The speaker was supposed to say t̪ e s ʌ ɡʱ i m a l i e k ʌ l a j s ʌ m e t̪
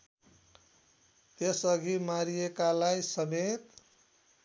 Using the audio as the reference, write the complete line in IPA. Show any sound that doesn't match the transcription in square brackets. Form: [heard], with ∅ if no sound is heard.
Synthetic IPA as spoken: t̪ e s ʌ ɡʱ i m a [ɾ] i e k [a] l a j s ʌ m e t̪